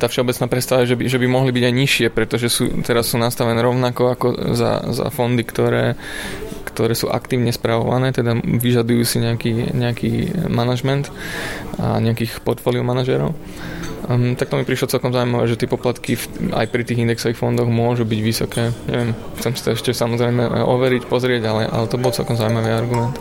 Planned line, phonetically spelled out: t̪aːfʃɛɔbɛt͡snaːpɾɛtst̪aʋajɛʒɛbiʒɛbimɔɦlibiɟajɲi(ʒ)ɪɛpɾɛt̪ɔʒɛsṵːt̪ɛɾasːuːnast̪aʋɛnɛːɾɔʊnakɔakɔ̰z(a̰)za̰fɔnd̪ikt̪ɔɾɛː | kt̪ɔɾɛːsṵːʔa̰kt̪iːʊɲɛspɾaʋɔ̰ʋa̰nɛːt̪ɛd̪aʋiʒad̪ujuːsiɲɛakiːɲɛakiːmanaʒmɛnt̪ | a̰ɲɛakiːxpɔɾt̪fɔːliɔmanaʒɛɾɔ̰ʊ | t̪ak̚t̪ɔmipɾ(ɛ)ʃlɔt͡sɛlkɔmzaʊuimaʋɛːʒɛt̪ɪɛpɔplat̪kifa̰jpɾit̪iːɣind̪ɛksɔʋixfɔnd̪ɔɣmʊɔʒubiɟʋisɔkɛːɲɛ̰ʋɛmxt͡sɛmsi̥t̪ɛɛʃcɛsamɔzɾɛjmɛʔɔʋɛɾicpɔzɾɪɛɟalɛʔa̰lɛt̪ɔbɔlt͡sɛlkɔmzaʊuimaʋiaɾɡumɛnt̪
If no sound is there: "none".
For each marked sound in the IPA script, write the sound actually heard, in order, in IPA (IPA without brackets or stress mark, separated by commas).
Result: ʃ, a̰, i